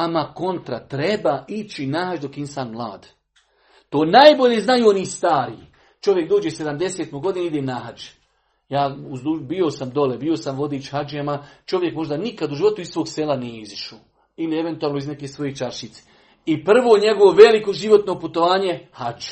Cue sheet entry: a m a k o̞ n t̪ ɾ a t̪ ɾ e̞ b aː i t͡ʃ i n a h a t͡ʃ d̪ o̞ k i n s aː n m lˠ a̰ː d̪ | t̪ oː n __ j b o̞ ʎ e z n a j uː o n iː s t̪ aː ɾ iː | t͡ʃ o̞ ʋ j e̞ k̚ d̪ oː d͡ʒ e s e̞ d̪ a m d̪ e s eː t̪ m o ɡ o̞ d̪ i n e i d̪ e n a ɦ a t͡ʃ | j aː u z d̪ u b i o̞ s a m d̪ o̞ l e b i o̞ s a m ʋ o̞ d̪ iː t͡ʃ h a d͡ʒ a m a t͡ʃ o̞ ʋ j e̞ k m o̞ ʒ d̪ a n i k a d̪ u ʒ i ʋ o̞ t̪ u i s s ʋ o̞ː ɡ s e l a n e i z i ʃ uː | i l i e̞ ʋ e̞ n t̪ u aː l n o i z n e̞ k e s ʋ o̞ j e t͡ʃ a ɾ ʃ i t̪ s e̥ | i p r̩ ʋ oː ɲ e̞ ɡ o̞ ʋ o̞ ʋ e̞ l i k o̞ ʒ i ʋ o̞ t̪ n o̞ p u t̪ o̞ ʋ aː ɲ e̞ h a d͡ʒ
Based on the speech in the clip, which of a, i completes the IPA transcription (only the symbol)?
a